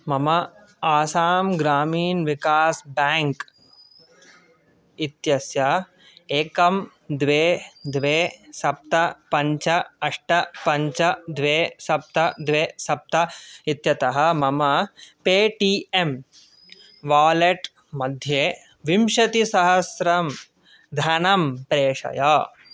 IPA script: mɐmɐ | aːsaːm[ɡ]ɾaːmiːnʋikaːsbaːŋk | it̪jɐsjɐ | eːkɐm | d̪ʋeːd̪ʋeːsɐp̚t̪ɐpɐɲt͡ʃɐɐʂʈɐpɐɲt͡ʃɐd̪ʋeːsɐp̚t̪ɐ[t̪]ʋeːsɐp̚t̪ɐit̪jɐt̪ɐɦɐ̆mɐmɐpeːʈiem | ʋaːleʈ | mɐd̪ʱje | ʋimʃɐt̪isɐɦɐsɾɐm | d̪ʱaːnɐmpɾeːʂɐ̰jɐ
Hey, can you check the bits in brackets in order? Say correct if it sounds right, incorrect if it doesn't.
correct, incorrect

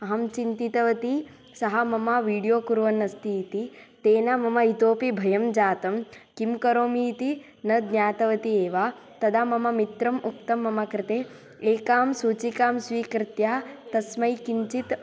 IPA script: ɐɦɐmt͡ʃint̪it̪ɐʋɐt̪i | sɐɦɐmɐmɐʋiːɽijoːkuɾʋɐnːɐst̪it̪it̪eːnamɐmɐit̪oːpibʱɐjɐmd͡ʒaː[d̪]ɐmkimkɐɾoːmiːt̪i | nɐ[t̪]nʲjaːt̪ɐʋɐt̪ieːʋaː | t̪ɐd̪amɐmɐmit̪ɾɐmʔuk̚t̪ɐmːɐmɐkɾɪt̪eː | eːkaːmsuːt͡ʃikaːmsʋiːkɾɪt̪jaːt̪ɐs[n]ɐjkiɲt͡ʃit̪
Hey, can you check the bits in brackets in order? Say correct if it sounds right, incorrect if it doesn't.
incorrect, incorrect, incorrect

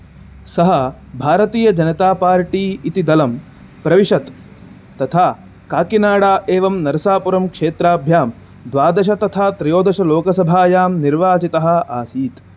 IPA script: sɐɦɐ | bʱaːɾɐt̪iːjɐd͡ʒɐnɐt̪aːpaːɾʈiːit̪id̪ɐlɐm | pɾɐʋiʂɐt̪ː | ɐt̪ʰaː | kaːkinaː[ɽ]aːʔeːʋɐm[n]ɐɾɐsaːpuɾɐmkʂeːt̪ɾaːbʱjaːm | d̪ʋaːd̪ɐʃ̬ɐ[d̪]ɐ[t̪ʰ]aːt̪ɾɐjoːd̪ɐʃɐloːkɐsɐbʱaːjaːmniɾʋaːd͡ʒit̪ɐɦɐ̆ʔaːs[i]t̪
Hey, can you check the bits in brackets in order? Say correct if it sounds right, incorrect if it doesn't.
correct, correct, incorrect, correct, incorrect

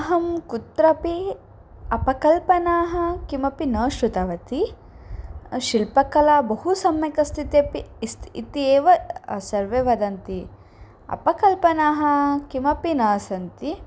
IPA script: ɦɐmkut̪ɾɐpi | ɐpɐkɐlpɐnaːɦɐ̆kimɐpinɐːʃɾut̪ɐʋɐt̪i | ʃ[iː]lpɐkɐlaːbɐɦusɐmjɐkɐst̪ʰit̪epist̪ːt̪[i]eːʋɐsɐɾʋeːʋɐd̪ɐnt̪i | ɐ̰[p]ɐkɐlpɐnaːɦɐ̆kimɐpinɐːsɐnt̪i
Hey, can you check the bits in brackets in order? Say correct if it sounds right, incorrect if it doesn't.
incorrect, correct, correct

